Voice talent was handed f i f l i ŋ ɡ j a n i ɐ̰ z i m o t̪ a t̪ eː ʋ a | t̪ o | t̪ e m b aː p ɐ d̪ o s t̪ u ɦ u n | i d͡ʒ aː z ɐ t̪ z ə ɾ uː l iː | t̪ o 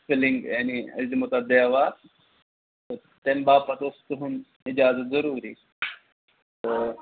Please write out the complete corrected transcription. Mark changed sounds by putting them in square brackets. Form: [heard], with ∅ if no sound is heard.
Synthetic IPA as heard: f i [∅] l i ŋ ɡ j a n i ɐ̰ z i m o t̪ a [d̪] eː ʋ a | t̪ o | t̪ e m b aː p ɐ [t̪] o s t̪ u ɦ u n | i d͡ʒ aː z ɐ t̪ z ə ɾ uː [ɾ] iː | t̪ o